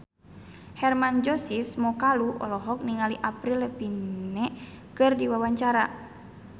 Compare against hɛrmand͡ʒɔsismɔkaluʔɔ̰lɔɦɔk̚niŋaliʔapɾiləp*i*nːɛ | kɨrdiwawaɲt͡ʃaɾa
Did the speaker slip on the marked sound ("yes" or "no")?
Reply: no